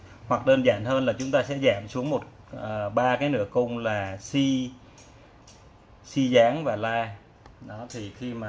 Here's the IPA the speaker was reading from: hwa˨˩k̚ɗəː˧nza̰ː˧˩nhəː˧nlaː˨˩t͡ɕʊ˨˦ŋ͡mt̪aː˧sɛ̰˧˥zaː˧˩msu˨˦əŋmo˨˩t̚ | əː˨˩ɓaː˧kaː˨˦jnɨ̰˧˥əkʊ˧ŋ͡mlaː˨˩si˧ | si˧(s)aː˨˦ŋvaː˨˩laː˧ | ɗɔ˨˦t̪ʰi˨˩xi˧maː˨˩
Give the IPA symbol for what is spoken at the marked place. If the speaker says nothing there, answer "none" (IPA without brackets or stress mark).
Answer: z